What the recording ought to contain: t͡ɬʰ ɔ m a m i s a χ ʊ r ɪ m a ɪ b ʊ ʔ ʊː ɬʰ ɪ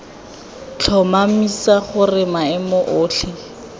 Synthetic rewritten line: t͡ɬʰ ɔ m a m i s a χ ʊ r ɪ m a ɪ m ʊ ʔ ʊː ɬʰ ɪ